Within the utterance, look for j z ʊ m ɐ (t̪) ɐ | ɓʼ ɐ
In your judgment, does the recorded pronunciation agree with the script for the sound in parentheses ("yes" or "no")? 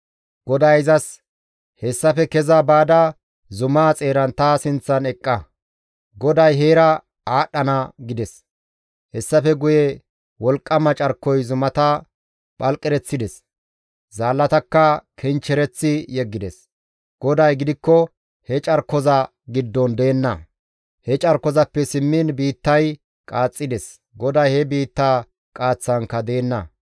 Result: yes